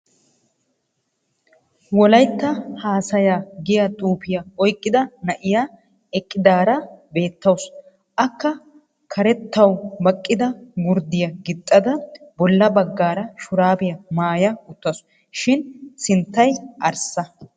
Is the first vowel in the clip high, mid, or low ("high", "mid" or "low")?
mid